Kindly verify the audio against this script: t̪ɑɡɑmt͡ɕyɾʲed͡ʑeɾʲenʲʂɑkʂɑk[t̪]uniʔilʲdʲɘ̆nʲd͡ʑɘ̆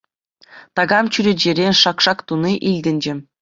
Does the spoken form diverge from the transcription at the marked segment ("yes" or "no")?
no